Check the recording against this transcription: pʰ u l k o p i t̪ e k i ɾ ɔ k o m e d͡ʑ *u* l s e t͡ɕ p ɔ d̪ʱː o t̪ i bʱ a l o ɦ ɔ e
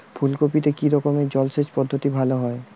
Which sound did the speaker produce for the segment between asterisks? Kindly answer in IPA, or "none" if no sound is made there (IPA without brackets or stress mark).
ɔ